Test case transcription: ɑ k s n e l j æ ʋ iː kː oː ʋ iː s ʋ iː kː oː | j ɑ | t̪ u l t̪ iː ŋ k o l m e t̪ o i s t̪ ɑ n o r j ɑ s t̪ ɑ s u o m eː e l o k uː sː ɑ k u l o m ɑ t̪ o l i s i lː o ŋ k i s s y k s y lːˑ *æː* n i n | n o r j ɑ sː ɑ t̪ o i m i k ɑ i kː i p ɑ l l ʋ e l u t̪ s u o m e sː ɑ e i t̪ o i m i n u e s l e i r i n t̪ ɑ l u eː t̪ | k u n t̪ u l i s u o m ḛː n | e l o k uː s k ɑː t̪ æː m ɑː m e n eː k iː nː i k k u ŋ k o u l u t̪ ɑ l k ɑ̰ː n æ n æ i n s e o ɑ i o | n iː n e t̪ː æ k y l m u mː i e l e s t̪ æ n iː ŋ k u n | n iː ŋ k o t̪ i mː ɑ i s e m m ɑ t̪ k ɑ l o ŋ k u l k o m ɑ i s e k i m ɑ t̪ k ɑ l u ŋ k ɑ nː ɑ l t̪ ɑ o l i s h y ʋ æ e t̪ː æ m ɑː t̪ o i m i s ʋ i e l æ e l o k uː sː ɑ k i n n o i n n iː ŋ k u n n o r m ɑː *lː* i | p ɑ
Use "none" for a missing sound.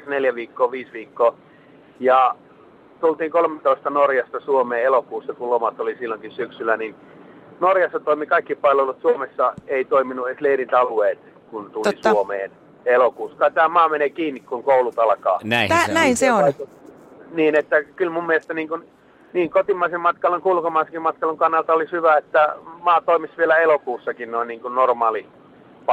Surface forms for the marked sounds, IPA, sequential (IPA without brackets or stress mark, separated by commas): æ, l